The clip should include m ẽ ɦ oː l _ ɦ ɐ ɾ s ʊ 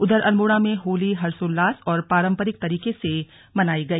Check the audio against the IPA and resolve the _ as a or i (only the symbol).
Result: i